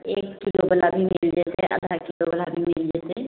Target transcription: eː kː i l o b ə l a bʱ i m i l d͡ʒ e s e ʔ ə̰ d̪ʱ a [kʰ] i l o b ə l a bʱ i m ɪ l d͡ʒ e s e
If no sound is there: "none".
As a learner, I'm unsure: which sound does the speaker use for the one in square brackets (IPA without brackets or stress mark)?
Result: k